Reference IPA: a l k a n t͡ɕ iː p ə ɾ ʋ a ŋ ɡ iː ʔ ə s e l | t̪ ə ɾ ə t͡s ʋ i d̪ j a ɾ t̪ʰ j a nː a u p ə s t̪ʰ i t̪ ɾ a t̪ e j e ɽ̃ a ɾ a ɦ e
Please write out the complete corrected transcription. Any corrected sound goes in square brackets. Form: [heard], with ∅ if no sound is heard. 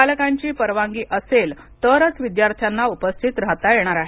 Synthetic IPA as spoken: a l k a [ɲ] t͡ɕ iː p ə ɾ ʋ a ŋ ɡ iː ʔ ə s e l | t̪ ə ɾ ə t͡s ʋ i d̪ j a ɾ t̪ʰ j a nː a u p ə s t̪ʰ i t̪ ɾ a t̪ [a] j e ɽ̃ a ɾ a ɦ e